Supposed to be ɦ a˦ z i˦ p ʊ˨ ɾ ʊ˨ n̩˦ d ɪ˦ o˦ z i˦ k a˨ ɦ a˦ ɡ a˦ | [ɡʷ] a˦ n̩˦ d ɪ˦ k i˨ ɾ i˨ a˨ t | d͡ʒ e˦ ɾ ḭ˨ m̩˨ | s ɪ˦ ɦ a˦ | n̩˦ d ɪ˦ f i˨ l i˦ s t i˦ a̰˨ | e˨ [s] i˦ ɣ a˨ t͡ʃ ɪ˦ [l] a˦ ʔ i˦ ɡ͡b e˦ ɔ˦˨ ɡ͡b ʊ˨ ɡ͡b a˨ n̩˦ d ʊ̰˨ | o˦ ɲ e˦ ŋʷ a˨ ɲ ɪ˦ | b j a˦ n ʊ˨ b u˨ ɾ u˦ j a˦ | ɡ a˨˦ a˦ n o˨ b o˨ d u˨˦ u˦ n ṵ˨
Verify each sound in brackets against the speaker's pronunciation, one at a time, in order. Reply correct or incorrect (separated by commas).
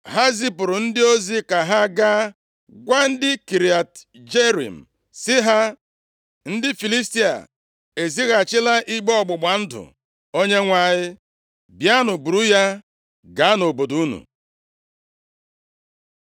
correct, incorrect, correct